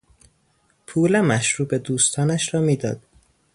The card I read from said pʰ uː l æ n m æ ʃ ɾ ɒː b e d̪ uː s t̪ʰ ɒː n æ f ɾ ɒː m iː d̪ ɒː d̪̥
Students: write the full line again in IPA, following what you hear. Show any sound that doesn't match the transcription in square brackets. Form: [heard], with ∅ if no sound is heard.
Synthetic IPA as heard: pʰ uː l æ [∅] m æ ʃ ɾ [uː] b e d̪ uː s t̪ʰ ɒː n æ [ʃ] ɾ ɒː m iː d̪ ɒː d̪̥

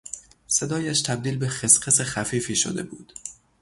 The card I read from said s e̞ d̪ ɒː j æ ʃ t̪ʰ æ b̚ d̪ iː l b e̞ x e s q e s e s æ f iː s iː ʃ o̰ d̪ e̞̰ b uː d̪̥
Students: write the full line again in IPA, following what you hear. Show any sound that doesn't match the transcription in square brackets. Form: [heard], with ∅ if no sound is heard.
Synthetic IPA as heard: s e̞ d̪ ɒː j æ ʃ t̪ʰ æ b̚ d̪ iː l b e̞ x e s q e s e [x] æ f iː [f] iː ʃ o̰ d̪ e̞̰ b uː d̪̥

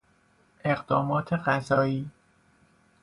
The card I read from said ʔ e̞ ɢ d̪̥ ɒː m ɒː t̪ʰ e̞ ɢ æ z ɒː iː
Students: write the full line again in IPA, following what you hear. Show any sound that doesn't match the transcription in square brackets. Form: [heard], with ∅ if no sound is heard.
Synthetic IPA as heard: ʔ e̞ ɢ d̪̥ ɒː m ɒː t̪ʰ e̞ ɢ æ z ɒː iː

